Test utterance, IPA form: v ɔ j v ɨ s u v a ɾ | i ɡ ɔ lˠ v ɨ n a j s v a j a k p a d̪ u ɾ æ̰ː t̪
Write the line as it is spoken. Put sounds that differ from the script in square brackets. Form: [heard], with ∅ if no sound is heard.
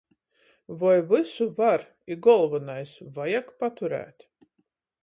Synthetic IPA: v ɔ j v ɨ s u v a ɾ | i ɡ ɔ lˠ v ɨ n a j s v a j a k p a [t̪] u ɾ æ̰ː t̪